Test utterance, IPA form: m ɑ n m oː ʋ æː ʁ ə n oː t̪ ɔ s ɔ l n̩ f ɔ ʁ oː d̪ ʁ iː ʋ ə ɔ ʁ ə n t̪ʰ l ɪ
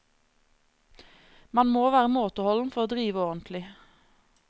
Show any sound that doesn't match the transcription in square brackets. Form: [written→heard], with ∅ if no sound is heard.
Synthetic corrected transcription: m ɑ n m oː ʋ æː ʁ ə [n→m] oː t̪ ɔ [s→h] ɔ l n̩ f ɔ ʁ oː d̪ ʁ iː ʋ ə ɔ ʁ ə n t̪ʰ l ɪ